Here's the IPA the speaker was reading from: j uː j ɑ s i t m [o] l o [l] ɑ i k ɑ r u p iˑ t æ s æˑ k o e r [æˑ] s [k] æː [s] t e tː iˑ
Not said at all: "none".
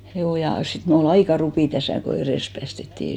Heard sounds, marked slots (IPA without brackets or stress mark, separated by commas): u, l, eˑ, p, s